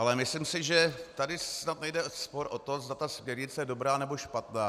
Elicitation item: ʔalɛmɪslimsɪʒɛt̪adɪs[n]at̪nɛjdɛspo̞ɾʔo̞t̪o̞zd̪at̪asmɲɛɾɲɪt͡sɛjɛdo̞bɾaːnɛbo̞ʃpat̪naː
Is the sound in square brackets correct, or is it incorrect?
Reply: correct